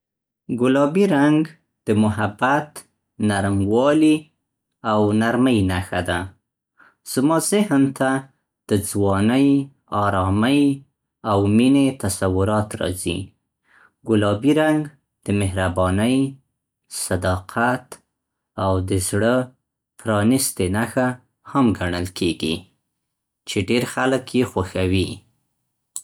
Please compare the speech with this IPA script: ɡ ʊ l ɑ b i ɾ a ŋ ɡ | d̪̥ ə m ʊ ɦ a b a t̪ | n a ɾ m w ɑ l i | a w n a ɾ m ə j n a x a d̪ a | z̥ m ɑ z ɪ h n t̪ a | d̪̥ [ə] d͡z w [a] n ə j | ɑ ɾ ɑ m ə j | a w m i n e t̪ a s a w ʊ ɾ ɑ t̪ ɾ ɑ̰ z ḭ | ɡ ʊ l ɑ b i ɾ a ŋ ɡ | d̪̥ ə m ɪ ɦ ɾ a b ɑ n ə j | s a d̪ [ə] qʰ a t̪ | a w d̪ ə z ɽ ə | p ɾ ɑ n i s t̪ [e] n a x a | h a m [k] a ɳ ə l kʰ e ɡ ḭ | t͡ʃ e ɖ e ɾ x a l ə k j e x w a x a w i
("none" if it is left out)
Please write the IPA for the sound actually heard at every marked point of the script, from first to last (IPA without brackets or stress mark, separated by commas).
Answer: ə, ɑ, ɑ, e, ɡ